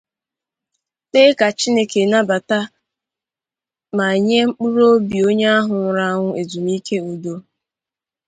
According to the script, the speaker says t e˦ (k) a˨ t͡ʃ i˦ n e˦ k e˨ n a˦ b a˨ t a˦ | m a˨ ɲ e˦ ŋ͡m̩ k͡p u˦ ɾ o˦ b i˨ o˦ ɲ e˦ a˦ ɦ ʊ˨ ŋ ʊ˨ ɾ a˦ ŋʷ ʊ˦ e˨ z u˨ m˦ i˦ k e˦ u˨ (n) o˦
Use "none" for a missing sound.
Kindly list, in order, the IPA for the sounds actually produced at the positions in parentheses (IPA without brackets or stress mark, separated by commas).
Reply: k, d